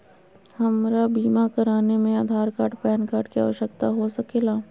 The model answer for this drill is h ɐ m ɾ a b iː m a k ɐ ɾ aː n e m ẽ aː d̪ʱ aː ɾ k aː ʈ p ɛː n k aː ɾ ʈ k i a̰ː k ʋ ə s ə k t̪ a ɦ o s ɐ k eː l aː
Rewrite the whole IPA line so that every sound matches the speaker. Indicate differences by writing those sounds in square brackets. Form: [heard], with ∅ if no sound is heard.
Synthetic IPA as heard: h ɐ m ɾ a b iː m a k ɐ ɾ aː n e m ẽ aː d̪ʱ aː ɾ k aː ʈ p ɛː n k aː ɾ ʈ k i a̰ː [∅] ʋ ə [ʃ] ə k t̪ a ɦ o s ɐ k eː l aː